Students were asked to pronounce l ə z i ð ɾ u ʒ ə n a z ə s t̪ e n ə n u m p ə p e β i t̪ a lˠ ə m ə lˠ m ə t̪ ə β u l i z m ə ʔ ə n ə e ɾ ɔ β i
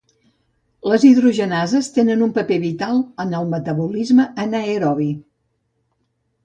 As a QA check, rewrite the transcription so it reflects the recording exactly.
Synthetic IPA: l ə z i ð ɾ u ʒ ə n a z ə s t̪ e n ə n u m p ə p e β i t̪ a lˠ ə n ə lˠ m ə t̪ ə β u l i z m ə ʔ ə n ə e ɾ ɔ β i